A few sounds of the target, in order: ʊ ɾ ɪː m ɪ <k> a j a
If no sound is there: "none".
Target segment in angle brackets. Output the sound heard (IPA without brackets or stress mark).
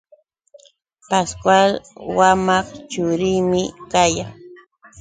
k